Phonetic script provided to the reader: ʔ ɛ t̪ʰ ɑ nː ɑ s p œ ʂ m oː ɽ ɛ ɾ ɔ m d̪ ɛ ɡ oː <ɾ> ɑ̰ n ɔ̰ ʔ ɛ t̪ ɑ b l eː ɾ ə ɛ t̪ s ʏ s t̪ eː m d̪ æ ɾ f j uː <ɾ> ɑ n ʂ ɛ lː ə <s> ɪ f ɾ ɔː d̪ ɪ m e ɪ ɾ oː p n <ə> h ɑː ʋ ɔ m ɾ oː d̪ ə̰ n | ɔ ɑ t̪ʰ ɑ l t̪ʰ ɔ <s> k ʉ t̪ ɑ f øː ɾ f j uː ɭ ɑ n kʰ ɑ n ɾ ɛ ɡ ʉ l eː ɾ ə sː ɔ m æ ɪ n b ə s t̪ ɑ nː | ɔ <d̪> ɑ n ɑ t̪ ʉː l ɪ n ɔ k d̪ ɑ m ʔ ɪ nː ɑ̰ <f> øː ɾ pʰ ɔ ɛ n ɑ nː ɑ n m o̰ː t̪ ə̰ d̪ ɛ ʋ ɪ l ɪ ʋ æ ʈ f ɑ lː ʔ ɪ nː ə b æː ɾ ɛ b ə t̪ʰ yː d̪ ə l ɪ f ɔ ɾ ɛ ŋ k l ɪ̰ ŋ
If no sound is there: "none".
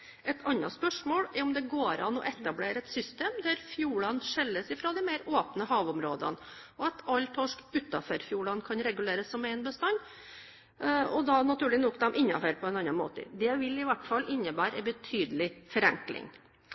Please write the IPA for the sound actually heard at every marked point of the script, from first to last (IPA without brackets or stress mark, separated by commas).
ɾ, ɭ, s, ə, ʂ, d̪, f